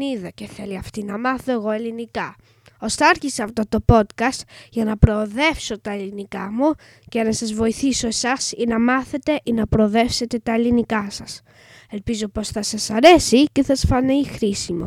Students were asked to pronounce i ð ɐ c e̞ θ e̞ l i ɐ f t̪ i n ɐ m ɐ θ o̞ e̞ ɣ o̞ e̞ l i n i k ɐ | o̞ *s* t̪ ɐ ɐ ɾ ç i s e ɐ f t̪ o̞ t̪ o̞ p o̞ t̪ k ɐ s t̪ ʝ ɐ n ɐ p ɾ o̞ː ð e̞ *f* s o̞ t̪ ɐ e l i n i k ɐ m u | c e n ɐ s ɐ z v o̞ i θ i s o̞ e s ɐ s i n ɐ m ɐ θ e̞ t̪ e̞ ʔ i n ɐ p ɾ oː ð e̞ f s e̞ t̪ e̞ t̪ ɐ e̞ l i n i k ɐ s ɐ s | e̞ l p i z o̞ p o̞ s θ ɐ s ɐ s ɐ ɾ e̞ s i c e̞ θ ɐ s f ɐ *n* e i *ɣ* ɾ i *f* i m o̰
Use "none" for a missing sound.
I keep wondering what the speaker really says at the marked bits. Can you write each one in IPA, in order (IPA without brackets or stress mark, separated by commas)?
s, f, n, x, s